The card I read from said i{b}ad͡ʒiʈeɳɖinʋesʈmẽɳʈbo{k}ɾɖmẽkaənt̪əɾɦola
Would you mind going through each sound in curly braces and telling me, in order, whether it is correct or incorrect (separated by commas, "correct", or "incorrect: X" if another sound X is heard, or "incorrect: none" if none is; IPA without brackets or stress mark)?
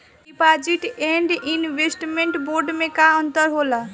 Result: incorrect: p, incorrect: none